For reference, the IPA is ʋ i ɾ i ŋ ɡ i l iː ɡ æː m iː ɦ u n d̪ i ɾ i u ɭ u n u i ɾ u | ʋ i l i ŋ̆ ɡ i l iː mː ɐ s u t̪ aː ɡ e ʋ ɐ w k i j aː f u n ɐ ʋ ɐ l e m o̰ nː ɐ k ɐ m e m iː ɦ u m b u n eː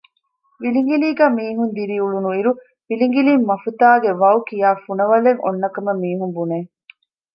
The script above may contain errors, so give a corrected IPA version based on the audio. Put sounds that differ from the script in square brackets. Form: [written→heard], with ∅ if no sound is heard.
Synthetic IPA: ʋ i [ɾ→l] i ŋ ɡ i l iː ɡ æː m iː ɦ u n d̪ i ɾ i u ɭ u n u i ɾ u | ʋ i l i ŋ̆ ɡ i l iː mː ɐ [s→f] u t̪ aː ɡ e ʋ ɐ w k i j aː f u n ɐ ʋ ɐ l e [m→ŋ] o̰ nː ɐ k ɐ m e m iː ɦ u m b u n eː